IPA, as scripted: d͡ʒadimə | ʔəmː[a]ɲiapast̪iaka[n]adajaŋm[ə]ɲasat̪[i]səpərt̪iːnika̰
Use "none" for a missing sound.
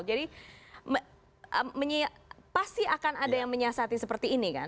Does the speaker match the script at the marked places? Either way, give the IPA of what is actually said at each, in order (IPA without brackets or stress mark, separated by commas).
ə, n, ə, i